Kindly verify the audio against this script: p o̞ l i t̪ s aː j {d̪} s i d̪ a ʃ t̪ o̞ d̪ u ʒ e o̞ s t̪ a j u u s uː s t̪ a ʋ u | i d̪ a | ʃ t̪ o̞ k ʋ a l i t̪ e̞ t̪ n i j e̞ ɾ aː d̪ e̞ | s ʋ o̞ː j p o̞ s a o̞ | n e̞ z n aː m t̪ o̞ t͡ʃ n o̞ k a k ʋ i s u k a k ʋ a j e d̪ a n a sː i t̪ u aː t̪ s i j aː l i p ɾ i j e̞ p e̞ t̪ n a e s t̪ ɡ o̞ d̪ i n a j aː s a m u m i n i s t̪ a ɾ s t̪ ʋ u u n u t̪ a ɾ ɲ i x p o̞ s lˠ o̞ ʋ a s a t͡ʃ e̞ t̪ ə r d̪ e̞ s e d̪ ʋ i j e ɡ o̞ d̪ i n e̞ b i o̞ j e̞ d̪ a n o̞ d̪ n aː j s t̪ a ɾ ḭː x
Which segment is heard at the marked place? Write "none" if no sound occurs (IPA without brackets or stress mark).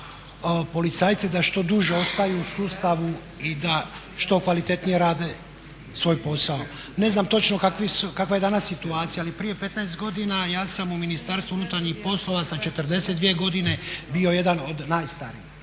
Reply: t̪